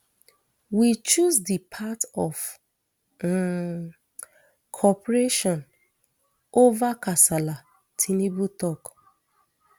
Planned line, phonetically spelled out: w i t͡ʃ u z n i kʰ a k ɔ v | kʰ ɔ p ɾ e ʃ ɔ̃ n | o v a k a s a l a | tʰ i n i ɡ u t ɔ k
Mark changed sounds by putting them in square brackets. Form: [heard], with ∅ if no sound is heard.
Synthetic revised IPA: w i t͡ʃ u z [d] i [pʰ] a [t] ɔ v | kʰ ɔ p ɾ e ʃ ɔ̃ n | o v a k a s a l a | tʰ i n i [b] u t ɔ k